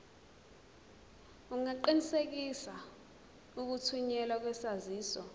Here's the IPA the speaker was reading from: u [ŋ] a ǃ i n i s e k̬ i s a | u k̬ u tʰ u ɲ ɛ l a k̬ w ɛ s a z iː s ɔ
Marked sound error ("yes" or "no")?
no